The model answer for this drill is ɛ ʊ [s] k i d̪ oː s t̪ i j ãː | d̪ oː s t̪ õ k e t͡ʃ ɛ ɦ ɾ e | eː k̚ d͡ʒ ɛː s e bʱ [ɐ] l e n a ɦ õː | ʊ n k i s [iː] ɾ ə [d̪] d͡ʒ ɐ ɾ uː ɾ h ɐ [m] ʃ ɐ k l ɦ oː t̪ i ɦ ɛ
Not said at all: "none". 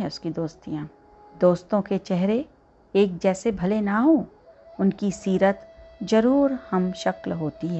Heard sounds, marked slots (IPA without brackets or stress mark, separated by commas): s, ɐ, iː, t̪, m